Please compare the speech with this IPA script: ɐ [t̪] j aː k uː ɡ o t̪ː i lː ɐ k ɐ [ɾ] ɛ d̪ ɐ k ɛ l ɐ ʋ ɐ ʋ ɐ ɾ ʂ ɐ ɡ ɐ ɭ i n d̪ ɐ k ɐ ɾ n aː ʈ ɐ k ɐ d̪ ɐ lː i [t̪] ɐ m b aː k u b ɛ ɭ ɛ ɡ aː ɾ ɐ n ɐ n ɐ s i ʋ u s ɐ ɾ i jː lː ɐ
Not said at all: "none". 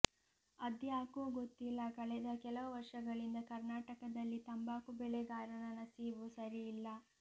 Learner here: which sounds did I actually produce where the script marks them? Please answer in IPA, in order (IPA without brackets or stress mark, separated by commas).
d̪, ɭ, t̪